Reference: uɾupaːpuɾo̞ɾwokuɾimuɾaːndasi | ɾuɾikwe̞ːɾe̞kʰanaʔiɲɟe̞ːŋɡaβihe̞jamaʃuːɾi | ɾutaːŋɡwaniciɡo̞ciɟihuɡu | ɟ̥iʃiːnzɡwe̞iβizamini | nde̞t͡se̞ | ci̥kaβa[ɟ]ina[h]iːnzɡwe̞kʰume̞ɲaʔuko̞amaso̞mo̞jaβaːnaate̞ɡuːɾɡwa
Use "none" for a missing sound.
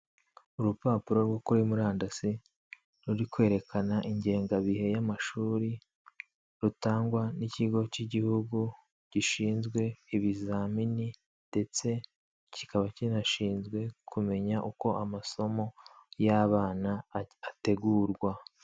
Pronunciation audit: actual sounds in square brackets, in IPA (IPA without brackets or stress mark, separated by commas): c, ʃ